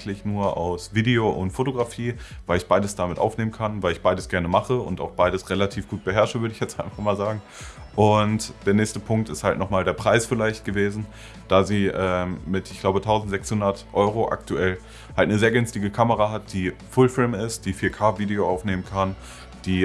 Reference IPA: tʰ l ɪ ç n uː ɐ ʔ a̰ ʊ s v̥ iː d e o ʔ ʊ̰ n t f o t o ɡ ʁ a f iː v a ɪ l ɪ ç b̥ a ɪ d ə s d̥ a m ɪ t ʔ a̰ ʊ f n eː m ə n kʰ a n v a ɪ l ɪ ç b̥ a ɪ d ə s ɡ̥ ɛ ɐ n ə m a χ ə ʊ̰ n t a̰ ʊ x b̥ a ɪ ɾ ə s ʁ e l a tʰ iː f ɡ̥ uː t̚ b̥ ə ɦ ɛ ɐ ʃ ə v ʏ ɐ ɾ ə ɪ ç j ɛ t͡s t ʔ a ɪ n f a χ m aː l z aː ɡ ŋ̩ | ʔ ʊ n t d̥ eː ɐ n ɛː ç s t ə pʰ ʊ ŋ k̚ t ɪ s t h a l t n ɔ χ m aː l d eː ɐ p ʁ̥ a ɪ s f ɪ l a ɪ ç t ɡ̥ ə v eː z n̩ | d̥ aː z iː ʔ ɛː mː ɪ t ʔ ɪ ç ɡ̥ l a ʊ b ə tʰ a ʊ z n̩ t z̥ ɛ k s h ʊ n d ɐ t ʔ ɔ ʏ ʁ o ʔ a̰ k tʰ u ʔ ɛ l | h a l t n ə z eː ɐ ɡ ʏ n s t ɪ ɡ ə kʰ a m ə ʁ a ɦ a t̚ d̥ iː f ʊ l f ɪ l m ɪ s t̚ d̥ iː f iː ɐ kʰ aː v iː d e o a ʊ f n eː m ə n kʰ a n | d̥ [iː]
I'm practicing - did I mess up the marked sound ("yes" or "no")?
no